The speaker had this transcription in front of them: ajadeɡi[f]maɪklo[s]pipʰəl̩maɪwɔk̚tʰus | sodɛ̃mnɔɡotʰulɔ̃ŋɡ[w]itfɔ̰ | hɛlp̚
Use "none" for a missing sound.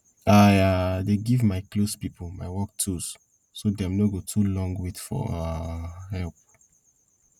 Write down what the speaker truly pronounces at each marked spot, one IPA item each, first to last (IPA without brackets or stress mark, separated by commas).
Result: v, s, w